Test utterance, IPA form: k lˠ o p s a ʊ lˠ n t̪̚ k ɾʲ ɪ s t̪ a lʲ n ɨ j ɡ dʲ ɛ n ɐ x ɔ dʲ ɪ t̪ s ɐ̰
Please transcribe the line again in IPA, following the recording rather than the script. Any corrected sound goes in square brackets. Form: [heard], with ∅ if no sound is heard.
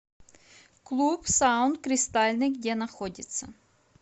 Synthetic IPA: k lˠ [u] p s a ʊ [∅] n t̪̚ k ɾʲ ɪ s t̪ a lʲ n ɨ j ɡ dʲ ɛ n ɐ x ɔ dʲ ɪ t̪ s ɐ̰